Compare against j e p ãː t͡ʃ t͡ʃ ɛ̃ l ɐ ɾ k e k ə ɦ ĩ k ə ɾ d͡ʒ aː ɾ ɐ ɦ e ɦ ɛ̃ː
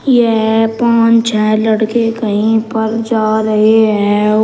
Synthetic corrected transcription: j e p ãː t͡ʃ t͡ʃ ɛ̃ l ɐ ɽ k e k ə ɦ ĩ p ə ɾ d͡ʒ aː ɾ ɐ ɦ e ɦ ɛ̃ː